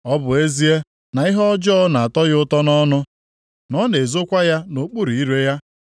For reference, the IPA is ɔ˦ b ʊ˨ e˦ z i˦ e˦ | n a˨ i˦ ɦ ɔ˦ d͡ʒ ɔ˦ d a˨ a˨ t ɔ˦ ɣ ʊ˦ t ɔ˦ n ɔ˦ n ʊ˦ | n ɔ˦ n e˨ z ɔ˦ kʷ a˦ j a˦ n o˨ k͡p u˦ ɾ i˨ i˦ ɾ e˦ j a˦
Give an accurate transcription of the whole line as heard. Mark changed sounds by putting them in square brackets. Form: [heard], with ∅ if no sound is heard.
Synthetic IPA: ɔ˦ b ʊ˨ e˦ z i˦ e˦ | n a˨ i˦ ɦ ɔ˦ d͡ʒ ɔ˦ [n] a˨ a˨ t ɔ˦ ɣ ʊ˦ t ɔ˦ n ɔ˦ n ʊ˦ | n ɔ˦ n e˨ z [o˦] kʷ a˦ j a˦ n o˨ k͡p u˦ ɾ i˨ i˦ ɾ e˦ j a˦